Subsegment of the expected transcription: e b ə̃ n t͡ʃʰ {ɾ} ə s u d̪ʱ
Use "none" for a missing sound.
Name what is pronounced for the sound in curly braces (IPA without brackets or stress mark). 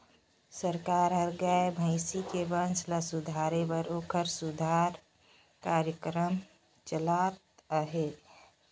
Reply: l